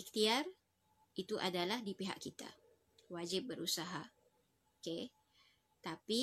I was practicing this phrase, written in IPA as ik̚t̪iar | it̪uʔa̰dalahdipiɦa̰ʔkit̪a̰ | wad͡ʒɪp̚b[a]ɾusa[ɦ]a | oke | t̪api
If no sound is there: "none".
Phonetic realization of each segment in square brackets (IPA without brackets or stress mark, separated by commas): ə, ɦ